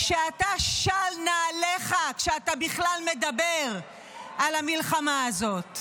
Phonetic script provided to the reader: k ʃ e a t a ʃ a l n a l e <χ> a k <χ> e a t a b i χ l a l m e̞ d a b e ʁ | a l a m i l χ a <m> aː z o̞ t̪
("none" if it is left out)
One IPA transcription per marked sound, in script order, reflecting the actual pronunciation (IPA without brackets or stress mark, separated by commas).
χ, ʃ, m